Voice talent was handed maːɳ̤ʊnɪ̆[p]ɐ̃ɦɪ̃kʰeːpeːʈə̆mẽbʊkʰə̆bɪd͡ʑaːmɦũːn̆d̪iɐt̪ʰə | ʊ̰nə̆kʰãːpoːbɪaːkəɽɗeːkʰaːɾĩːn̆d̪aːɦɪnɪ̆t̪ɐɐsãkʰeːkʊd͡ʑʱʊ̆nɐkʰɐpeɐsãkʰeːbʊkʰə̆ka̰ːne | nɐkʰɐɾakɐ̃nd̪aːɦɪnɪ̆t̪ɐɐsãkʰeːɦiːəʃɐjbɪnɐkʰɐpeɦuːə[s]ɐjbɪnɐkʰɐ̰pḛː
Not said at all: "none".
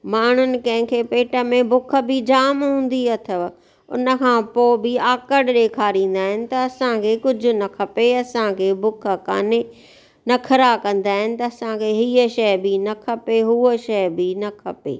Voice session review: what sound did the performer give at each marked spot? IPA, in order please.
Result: k, ʃ

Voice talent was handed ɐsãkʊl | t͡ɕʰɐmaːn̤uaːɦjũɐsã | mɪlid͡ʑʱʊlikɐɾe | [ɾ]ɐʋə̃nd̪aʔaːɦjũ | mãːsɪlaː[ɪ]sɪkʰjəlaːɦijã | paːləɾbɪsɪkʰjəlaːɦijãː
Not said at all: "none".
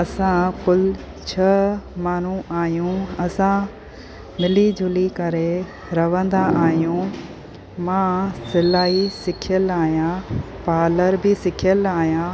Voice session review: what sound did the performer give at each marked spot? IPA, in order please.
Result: ɾ, i

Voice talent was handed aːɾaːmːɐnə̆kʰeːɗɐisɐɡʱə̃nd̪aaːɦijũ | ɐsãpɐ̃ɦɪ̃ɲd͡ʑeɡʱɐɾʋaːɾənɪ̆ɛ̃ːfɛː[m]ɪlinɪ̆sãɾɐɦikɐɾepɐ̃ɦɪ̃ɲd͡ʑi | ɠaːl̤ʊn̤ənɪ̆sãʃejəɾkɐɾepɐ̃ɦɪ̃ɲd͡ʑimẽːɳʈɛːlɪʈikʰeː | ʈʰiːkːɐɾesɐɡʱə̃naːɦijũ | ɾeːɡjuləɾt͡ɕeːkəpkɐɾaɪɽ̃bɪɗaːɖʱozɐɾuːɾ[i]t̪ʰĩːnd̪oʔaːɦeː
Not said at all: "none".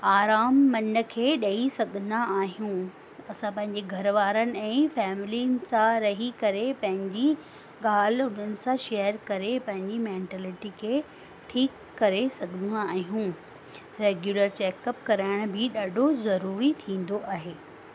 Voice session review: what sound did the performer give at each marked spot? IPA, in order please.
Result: m, i

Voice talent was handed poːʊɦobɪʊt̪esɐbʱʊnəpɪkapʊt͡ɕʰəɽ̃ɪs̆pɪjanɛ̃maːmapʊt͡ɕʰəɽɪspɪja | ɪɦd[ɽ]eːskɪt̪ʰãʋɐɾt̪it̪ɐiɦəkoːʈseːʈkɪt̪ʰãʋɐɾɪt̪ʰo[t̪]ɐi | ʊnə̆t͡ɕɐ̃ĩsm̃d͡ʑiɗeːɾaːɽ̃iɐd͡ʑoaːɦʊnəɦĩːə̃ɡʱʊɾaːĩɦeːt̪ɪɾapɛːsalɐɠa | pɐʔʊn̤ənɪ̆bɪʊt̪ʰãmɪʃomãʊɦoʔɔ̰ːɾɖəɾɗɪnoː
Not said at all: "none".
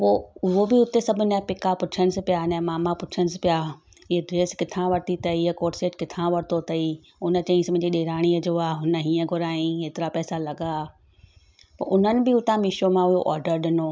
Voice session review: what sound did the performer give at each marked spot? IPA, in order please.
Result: ɾ, t̪

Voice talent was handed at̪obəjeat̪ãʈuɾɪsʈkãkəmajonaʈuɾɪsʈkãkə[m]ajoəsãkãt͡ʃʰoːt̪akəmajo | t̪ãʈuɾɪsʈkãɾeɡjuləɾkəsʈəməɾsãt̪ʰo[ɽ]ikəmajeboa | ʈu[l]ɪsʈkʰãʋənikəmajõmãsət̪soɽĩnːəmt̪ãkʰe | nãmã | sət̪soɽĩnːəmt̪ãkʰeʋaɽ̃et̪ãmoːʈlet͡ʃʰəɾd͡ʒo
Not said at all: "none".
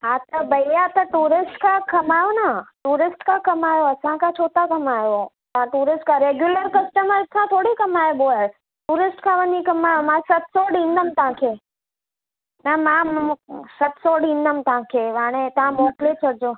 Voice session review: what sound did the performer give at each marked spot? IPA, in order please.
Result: m, ɽ, ɾ

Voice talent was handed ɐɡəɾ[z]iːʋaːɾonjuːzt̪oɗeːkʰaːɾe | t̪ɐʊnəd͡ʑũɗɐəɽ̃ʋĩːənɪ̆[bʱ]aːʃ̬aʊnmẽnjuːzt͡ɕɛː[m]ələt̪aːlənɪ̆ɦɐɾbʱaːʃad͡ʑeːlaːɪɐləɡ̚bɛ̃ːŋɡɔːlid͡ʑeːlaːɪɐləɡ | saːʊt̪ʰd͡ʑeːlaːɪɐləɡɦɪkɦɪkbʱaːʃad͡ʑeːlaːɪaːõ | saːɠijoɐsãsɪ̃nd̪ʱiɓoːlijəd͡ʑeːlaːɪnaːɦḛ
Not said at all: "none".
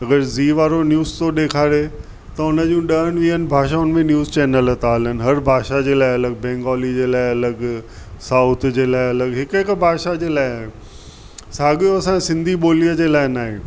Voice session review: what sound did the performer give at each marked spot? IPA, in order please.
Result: z, bʱ, n

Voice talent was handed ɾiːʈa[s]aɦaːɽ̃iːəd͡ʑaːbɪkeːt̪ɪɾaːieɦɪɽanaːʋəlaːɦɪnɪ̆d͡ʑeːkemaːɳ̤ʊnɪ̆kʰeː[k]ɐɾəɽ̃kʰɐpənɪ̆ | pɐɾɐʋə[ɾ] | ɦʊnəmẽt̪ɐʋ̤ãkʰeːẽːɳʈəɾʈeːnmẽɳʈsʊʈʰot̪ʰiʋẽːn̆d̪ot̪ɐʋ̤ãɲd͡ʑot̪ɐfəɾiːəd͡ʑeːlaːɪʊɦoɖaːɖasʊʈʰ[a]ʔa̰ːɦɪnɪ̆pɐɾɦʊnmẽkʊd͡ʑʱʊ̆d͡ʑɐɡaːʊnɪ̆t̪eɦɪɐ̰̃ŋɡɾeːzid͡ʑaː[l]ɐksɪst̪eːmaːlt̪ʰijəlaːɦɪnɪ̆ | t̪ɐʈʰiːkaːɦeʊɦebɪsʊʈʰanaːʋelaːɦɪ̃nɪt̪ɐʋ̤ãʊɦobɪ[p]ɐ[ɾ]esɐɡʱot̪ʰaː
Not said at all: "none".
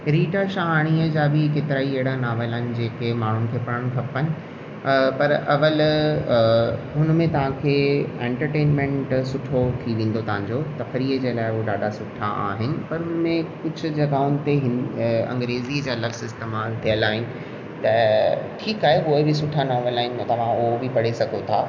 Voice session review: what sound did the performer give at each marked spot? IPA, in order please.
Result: ʃ, p, l, a, l, p, ɽ

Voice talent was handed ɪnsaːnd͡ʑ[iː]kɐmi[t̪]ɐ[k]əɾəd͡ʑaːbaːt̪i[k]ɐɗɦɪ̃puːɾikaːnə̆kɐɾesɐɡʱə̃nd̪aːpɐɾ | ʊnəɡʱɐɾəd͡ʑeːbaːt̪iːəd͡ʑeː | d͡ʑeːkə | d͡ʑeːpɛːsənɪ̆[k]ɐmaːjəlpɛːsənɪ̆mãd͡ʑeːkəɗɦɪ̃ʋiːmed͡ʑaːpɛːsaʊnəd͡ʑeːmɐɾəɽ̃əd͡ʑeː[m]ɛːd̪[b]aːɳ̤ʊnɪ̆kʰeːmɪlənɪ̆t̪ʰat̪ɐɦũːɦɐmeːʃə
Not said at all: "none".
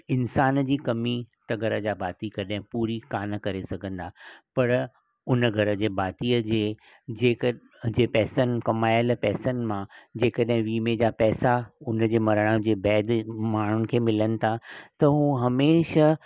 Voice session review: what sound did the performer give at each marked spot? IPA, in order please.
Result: iː, t̪, ɡ, k, k, b, m

